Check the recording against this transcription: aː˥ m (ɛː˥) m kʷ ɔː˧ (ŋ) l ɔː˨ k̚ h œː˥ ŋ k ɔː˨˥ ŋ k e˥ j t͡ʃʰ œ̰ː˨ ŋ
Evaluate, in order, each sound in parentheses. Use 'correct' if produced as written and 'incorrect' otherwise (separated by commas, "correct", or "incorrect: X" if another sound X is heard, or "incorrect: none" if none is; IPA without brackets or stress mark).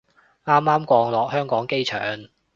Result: incorrect: aː˥, correct